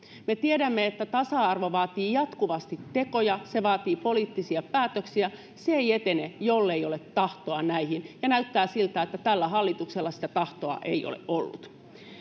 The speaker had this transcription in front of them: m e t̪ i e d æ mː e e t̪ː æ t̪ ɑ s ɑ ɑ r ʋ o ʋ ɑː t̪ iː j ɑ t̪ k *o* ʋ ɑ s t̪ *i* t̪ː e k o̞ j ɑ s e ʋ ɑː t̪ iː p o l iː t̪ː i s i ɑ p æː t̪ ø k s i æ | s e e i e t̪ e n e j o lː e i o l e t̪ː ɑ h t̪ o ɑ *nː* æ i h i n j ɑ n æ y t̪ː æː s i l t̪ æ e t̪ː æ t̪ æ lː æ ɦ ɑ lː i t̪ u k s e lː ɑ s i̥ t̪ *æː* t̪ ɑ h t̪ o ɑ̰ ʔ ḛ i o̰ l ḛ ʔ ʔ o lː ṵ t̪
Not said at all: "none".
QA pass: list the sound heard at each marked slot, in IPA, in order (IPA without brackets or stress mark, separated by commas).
u, i, n, æ